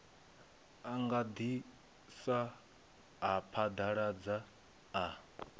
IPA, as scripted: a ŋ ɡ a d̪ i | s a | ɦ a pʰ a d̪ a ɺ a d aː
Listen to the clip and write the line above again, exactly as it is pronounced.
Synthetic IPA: a ŋ ɡ a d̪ i | s a | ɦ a pʰ a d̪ a ɺ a d͡z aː

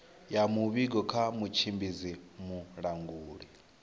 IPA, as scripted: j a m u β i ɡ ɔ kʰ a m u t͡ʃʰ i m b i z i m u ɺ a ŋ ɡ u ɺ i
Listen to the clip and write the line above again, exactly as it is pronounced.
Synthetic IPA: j a m u β i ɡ ɔ kʰ a m u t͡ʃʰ i m b i z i m u ɺ a ŋ ɡ uː ɺ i

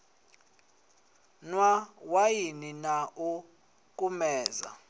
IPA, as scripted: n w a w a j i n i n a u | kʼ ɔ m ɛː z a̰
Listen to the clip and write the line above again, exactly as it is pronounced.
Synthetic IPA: n w a w a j i n i n a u | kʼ u m ɛː z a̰

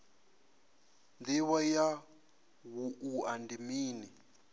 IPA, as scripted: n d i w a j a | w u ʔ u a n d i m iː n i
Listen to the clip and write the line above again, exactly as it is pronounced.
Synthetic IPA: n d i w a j a | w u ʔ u a n d i m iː n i

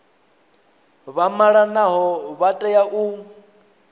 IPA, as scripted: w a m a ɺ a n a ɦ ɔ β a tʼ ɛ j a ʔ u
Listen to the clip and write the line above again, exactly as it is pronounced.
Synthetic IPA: β a m a ɺ a n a ɦ ɔ β a tʼ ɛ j a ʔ u

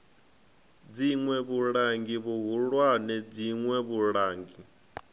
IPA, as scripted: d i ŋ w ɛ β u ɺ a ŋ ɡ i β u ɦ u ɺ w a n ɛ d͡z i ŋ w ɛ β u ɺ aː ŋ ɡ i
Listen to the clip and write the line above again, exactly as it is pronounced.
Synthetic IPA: d͡z i ŋ w ɛ β u ɺ a ŋ ɡ i β u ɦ u ɺ w a n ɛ d͡z i ŋ w ɛ β u ɺ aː ŋ ɡ i

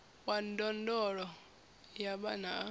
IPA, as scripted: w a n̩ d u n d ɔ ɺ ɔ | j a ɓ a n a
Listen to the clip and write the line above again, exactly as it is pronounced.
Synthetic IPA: w a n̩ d ɔ n d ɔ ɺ ɔ | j a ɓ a n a

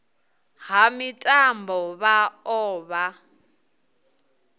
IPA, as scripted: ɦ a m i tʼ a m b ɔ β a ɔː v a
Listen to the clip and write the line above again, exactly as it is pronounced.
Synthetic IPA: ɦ a m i tʼ a m b ɔ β a ɔː β a

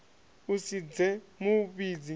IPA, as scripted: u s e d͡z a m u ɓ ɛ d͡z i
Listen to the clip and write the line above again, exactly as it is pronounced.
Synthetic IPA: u s i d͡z ɛ m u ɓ i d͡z i

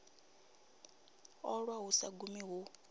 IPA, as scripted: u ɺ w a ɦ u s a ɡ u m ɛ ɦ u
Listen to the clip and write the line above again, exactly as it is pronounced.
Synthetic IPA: ɔ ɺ w a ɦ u s a ɡ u m i ɦ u

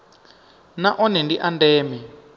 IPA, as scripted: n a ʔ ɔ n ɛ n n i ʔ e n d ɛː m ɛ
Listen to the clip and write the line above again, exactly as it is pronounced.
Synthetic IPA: n a ʔ ɔ n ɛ n d i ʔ a n d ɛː m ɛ

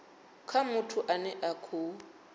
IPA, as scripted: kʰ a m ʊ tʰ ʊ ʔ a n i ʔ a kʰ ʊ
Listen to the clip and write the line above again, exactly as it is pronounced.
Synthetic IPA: kʰ a m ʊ tʰ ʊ ʔ a n ɛ ʔ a kʰ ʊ

